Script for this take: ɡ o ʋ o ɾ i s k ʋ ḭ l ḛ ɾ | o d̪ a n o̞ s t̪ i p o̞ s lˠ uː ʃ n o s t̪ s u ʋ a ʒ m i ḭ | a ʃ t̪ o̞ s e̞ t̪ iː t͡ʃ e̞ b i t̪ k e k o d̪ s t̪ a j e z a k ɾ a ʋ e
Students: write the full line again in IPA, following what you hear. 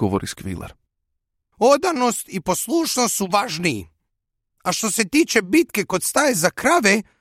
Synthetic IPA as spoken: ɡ o ʋ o ɾ i s k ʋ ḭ l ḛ ɾ | o d̪ a n o̞ s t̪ i p o̞ s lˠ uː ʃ n o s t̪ s u ʋ a ʒ n i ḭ | a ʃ t̪ o̞ s e̞ t̪ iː t͡ʃ e̞ b i t̪ k e k o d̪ s t̪ a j e z a k ɾ a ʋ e